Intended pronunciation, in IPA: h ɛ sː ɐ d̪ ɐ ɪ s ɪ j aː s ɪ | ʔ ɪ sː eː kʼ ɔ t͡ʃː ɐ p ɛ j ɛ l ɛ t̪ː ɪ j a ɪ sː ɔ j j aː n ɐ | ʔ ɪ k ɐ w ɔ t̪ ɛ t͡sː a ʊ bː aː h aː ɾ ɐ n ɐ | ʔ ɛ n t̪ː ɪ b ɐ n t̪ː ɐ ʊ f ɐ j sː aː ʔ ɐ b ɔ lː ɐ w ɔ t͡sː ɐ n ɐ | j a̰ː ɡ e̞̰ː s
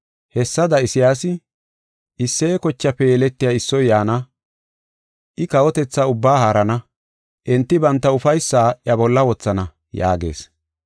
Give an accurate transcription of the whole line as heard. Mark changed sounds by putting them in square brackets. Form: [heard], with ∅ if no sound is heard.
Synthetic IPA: h ɛ sː ɐ d̪ ɐ ɪ s ɪ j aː s ɪ | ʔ ɪ sː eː [k] ɔ t͡ʃː ɐ p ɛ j ɛ l ɛ t̪ː ɪ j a ɪ sː ɔ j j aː n ɐ | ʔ ɪ k ɐ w ɔ t̪ ɛ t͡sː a ʊ bː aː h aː ɾ ɐ n ɐ | ʔ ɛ n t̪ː ɪ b ɐ n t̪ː ɐ ʊ f ɐ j sː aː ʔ ɐ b ɔ lː ɐ w ɔ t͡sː ɐ n ɐ | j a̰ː ɡ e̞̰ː s